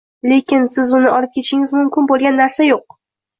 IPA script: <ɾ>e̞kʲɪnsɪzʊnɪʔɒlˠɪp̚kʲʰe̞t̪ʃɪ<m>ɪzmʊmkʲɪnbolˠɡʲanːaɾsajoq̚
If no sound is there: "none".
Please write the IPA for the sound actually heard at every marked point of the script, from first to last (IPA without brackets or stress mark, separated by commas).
l, ŋ